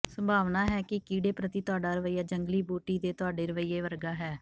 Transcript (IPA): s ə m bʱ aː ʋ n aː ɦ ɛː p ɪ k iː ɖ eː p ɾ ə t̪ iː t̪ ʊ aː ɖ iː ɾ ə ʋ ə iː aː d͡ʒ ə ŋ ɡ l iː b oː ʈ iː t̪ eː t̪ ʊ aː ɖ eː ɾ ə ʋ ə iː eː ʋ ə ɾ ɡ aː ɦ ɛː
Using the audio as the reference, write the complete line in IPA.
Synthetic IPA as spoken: s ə m bʱ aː ʋ n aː ɦ ɛː k ɪ k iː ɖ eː p ɾ ə t̪ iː t̪ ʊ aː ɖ aː ɾ ə ʋ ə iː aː d͡ʒ ə ŋ ɡ l iː b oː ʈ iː d̪ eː t̪ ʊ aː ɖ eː ɾ ə ʋ ə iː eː ʋ ə ɾ ɡ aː ɦ ɛː